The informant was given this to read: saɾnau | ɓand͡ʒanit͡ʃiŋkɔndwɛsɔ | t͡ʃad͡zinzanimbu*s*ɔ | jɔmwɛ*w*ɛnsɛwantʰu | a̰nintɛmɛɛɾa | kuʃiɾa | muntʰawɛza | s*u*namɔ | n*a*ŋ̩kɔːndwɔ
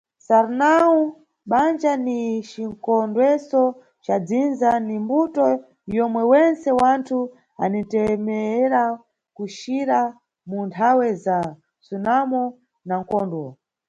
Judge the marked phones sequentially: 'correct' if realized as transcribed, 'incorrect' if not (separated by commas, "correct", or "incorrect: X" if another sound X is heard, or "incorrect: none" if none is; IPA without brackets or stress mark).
incorrect: t, correct, correct, correct